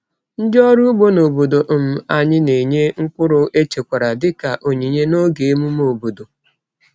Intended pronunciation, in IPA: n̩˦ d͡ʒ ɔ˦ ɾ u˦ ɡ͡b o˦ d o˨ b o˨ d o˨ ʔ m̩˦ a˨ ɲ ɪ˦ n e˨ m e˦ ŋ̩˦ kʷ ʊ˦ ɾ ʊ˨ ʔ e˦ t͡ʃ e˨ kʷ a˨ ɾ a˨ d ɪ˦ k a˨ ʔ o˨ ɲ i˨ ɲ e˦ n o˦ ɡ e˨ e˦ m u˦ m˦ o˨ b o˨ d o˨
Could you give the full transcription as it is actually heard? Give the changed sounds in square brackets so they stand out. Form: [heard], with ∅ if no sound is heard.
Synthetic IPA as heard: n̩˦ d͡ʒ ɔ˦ ɾ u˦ ɡ͡b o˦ [n] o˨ b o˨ d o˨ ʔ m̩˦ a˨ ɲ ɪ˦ n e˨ [ɲ] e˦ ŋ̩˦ kʷ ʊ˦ ɾ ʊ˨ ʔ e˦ t͡ʃ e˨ kʷ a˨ ɾ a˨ d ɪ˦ k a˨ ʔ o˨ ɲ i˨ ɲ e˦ n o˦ ɡ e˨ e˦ m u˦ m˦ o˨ b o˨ d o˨